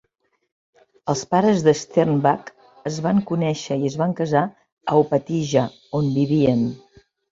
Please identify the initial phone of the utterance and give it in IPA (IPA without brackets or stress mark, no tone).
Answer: ə